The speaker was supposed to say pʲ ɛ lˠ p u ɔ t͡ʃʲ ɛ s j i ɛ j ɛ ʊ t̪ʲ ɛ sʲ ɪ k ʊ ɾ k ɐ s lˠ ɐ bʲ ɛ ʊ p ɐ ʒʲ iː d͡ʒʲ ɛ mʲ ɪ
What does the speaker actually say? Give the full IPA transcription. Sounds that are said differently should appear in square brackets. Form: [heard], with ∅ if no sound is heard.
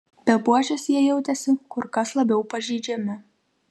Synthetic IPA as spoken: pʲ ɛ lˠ p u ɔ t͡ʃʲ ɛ s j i ɛ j ɛ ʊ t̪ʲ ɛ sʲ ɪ k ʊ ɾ k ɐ s lˠ ɐ bʲ ɛ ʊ p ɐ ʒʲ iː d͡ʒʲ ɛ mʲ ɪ

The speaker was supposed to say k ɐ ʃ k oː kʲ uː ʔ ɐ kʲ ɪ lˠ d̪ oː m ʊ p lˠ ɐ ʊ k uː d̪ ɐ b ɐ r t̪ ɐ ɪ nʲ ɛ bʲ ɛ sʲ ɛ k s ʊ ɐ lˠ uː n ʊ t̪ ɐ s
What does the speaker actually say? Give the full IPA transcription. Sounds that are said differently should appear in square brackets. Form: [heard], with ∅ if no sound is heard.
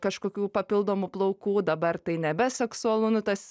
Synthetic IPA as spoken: k ɐ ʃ k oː kʲ uː [p] ɐ [pʲ] ɪ lˠ d̪ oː m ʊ p lˠ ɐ ʊ k uː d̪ ɐ b ɐ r t̪ ɐ ɪ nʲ ɛ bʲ ɛ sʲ ɛ k s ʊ ɐ lˠ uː n ʊ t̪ ɐ s

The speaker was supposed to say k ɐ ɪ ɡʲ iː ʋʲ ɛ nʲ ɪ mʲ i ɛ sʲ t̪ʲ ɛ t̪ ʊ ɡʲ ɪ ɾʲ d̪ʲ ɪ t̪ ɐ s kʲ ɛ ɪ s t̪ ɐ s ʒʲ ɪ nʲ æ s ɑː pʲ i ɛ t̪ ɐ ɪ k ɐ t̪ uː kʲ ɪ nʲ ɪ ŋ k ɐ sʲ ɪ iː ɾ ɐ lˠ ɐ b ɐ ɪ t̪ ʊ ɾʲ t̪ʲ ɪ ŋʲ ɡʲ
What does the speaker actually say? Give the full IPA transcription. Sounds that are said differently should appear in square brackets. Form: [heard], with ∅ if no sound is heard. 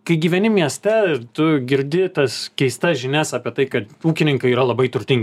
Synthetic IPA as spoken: k ɐ ɪ ɡʲ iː ʋʲ ɛ nʲ ɪ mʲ i ɛ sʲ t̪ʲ ɛ t̪ ʊ ɡʲ ɪ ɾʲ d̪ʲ ɪ t̪ ɐ s kʲ ɛ ɪ s t̪ ɐ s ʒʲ ɪ nʲ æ s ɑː pʲ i ɛ t̪ ɐ ɪ k ɐ t̪ uː kʲ ɪ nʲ ɪ ŋ k ɐ [∅] ɪ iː ɾ ɐ lˠ ɐ b ɐ ɪ t̪ ʊ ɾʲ t̪ʲ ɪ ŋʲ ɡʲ

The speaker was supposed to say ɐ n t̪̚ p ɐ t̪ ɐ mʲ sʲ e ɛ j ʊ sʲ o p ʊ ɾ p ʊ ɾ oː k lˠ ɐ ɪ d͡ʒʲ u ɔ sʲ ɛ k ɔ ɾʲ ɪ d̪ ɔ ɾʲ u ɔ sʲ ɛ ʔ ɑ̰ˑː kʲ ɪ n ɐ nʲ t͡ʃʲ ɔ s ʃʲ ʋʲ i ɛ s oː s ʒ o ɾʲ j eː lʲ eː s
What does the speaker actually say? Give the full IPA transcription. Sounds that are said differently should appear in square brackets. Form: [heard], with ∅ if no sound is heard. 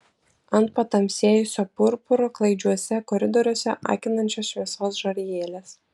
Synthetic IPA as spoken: ɐ n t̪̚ p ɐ t̪ ɐ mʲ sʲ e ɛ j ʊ sʲ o p ʊ ɾ p ʊ ɾ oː k lˠ ɐ ɪ d͡ʒʲ u ɔ sʲ ɛ k ɔ ɾʲ ɪ d̪ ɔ ɾʲ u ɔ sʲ ɛ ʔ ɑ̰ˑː kʲ ɪ n ɐ nʲ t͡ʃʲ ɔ s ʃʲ ʋʲ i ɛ s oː s ʒ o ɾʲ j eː lʲ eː s

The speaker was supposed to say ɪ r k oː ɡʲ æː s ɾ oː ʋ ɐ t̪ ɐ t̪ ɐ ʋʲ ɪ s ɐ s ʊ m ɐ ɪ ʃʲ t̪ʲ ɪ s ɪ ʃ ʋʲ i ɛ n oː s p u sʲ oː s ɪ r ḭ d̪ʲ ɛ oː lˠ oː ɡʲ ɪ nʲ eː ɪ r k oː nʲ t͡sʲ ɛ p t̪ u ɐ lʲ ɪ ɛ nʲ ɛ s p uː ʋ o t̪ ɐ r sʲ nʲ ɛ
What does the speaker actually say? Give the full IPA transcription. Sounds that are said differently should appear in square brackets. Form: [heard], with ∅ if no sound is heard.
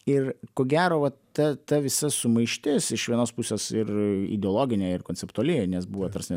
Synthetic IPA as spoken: ɪ r k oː ɡʲ æː [∅] ɾ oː ʋ ɐ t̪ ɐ t̪ ɐ ʋʲ ɪ s ɐ s ʊ m ɐ ɪ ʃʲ t̪ʲ ɪ s ɪ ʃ ʋʲ i ɛ n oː s p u sʲ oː s ɪ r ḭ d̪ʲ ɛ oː lˠ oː ɡʲ ɪ nʲ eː ɪ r k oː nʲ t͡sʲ ɛ p t̪ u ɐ lʲ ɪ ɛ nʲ ɛ s [b] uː ʋ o t̪ ɐ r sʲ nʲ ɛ

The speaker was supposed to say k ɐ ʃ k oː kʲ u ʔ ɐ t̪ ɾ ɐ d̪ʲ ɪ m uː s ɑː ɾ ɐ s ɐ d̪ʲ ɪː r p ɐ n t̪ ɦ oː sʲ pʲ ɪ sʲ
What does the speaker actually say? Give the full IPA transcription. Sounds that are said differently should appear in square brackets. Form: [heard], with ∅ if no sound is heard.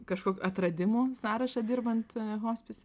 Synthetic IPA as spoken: k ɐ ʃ k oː kʲ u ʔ ɐ t̪ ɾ ɐ d̪ʲ ɪ m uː s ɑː ɾ ɐ [ʃ] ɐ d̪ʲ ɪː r [b] ɐ n t̪ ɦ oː sʲ pʲ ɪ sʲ

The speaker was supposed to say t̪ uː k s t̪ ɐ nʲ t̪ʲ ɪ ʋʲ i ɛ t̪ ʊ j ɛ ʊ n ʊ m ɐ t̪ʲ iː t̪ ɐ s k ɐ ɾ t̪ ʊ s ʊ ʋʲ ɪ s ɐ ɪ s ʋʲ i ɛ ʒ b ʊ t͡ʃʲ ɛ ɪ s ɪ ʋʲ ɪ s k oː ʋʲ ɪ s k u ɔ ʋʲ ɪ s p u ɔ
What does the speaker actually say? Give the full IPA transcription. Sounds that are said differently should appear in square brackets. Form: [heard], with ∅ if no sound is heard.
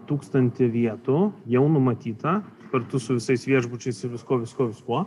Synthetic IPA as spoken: t̪ uː k s t̪ ɐ nʲ t̪ʲ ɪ ʋʲ i ɛ t̪ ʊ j ɛ ʊ n ʊ m ɐ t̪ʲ iː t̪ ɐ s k ɐ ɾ t̪ ʊ s ʊ ʋʲ ɪ s ɐ ɪ s ʋʲ i ɛ ʒ b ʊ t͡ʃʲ ɛ ɪ s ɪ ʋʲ ɪ s k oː ʋʲ ɪ s k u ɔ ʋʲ ɪ s [k] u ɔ

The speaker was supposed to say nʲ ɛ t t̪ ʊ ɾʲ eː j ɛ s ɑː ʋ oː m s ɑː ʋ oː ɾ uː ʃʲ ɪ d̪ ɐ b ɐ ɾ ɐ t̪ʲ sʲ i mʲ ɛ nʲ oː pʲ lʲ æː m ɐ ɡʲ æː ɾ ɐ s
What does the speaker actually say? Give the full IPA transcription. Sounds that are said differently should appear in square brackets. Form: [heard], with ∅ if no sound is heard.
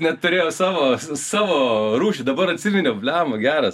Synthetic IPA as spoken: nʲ ɛ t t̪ ʊ ɾʲ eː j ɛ s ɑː ʋ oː [∅] s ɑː ʋ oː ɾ uː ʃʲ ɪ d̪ ɐ b ɐ ɾ ɐ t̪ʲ sʲ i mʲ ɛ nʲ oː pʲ lʲ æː m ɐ ɡʲ æː ɾ ɐ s

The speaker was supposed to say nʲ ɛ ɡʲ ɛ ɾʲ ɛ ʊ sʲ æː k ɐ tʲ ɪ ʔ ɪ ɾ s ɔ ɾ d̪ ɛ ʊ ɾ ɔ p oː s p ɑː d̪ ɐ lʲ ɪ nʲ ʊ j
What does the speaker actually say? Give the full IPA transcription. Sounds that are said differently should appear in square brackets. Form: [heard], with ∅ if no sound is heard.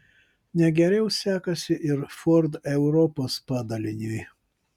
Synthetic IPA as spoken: nʲ ɛ ɡʲ ɛ ɾʲ ɛ ʊ sʲ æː k ɐ [sʲ] ɪ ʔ ɪ ɾ [f] ɔ ɾ d̪ ɛ ʊ ɾ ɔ p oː s p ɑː d̪ ɐ lʲ ɪ nʲ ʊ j

